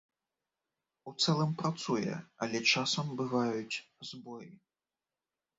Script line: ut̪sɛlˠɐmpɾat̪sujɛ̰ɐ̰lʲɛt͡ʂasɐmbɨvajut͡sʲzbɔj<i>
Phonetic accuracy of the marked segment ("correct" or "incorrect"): correct